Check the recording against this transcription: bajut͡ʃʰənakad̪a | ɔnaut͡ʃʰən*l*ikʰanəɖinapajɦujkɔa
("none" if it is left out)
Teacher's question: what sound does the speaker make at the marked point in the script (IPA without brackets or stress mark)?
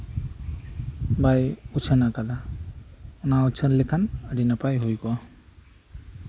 l